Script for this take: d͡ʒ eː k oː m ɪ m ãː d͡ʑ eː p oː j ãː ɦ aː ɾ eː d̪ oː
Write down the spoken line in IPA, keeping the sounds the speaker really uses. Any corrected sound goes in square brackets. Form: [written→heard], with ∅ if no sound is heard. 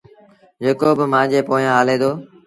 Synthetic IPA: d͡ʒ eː k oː [m→b] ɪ m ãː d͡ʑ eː p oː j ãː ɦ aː [ɾ→l] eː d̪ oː